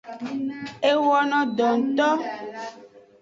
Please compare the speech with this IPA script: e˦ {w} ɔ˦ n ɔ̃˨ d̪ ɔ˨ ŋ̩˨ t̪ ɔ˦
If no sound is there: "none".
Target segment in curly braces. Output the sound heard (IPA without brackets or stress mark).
w